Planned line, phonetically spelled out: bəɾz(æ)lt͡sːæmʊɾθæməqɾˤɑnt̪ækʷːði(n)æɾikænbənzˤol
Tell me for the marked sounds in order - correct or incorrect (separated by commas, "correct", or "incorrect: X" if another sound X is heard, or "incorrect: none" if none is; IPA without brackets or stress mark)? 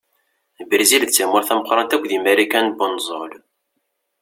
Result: incorrect: i, incorrect: m